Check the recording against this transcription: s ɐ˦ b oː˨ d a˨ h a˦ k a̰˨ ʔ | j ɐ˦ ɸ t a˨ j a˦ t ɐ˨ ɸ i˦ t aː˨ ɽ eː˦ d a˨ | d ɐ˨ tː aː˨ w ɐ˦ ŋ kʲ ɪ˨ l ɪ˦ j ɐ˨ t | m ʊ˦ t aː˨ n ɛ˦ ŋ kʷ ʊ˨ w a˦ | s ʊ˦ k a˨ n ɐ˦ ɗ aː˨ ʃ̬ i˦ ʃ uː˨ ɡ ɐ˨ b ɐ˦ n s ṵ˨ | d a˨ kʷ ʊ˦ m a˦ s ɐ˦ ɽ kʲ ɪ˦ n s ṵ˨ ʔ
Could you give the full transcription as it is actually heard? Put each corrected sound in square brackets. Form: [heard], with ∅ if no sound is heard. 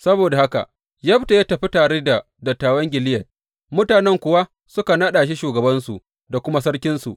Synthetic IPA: s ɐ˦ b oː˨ d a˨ h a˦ k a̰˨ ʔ | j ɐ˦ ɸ t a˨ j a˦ t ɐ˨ ɸ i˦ t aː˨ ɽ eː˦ d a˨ | d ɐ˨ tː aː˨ w ɐ˦ ŋ [ɡʲ] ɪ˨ l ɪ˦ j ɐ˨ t | m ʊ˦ t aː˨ n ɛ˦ ŋ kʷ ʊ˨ w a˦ | s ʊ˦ k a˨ n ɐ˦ ɗ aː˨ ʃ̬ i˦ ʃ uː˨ ɡ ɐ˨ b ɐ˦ n s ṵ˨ | d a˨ kʷ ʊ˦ m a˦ s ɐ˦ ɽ kʲ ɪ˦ n s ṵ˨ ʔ